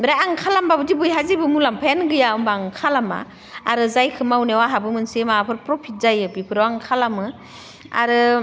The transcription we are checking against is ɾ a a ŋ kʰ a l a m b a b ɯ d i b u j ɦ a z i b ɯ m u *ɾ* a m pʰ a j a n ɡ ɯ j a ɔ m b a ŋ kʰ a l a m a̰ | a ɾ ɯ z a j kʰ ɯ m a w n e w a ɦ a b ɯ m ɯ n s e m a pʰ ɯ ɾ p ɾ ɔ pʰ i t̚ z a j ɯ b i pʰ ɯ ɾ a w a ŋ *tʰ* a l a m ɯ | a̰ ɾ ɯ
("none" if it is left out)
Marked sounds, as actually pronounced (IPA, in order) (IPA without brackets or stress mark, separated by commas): l, kʰ